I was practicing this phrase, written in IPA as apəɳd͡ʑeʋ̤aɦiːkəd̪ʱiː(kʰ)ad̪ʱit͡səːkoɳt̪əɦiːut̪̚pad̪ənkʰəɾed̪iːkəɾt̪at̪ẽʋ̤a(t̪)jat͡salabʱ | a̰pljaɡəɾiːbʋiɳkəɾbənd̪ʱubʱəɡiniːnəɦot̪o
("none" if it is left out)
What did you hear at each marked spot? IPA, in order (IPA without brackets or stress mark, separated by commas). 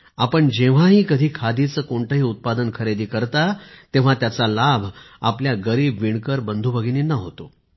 kʰ, t̪